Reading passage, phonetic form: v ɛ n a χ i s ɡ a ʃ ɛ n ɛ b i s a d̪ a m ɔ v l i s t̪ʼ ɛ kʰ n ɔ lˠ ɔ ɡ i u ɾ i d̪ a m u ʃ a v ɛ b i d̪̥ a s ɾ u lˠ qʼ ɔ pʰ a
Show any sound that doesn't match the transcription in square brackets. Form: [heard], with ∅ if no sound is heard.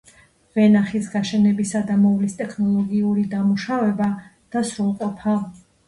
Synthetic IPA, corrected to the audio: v ɛ n a χ i s ɡ a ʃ ɛ n ɛ b i s a d̪ a m ɔ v l i s t̪ʼ ɛ kʰ n ɔ lˠ ɔ ɡ i u ɾ i d̪ a m u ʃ a v ɛ b [a] d̪̥ a s ɾ u lˠ qʼ ɔ pʰ a